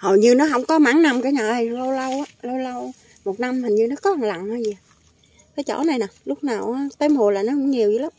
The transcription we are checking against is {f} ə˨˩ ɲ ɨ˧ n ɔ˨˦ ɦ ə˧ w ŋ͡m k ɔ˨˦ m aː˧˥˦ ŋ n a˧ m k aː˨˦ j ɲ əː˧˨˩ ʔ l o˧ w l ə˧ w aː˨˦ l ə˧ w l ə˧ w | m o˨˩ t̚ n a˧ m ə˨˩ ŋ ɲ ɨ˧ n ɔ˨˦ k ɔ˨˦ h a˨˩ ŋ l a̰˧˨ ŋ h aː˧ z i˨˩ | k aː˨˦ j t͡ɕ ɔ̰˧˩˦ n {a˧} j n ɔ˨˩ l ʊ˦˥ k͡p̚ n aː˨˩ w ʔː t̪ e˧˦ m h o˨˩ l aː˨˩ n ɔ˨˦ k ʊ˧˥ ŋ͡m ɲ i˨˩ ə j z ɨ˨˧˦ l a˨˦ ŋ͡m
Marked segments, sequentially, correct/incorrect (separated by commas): incorrect, incorrect